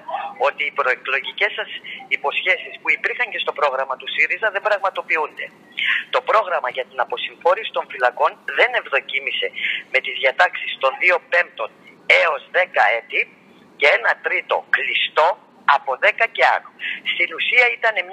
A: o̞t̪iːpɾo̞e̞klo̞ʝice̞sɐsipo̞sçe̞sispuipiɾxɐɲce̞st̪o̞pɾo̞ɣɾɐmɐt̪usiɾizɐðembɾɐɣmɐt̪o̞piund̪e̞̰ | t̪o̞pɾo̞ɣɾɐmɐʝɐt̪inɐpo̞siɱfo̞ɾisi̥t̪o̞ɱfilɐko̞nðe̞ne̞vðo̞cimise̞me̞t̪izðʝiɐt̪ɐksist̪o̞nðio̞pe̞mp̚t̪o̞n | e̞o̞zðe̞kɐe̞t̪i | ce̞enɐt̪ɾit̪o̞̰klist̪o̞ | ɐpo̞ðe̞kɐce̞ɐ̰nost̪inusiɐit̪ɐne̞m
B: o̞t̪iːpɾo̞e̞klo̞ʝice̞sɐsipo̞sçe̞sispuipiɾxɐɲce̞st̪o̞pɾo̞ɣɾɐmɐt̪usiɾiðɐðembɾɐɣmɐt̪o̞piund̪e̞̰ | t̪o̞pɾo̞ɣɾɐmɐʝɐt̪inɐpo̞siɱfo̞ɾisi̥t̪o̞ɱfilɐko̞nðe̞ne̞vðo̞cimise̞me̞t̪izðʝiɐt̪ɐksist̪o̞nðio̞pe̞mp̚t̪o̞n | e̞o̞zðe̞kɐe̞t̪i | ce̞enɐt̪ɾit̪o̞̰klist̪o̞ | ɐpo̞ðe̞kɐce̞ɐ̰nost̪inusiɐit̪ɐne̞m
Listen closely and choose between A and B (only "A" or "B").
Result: A